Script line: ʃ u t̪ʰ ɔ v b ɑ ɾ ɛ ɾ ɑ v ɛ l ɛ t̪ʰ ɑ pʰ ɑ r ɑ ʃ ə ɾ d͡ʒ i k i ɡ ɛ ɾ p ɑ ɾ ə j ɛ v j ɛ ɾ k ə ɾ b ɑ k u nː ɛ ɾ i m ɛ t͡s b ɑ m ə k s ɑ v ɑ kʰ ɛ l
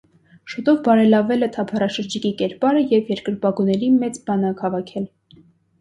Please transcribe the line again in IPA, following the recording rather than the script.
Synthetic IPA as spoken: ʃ u t̪ ɔ v b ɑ ɾ ɛ l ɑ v ɛ l ɛ t̪ʰ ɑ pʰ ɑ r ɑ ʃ ə ɾ d͡ʒ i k i k ɛ ɾ p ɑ ɾ ə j ɛ v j ɛ ɾ k ə ɾ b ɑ ɡ u n ɛ ɾ i m ɛ t͡s b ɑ n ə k h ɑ v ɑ kʰ ɛ l